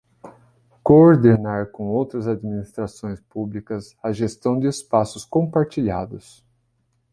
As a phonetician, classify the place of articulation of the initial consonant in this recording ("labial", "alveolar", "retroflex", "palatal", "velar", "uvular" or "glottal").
velar